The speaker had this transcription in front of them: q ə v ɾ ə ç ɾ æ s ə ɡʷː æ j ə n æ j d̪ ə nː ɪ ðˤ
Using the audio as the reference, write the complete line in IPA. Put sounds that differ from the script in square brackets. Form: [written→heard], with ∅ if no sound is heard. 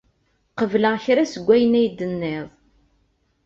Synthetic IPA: q ə v [ɾ→l] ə ç ɾ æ s ə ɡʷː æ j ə n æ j d̪ ə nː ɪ ðˤ